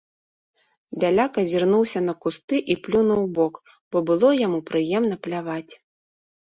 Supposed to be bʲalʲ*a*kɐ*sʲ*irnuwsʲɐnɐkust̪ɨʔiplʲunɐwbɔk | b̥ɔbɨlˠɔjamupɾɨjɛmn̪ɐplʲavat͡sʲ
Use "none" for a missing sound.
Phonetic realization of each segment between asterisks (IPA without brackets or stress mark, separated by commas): a, zʲ